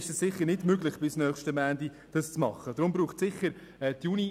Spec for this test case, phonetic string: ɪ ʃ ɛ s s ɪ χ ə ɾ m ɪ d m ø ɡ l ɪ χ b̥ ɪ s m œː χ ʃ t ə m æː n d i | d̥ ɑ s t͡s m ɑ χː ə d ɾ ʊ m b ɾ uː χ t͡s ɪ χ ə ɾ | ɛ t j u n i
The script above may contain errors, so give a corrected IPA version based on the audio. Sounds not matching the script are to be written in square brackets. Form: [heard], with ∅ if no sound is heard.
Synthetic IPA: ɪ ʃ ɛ s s ɪ χ ə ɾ [n] ɪ d m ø ɡ l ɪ χ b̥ ɪ s [n] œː χ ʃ t ə m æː n d i | d̥ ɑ s t͡s m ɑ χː ə d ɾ ʊ m b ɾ uː χ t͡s ɪ χ ə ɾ | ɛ t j u n i